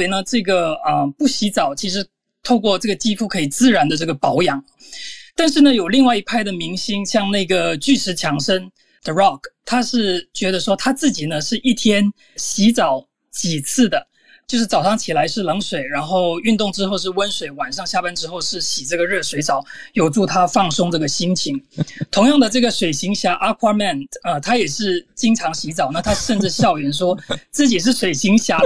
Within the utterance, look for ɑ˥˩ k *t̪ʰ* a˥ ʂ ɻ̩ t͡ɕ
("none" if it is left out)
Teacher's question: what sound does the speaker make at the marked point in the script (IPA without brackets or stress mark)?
t̪ʰ